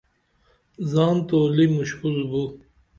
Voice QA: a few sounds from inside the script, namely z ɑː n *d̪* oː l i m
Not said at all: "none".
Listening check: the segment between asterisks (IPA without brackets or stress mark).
t̪